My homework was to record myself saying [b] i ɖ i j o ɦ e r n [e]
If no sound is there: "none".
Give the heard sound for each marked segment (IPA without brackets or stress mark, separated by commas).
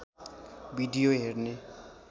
b, e